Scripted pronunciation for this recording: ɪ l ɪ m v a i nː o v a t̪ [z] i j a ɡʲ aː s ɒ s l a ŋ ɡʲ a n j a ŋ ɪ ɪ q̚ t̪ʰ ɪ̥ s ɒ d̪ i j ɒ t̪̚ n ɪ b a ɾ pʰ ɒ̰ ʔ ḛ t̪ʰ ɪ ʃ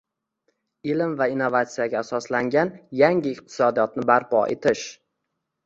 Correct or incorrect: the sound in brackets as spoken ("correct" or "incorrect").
incorrect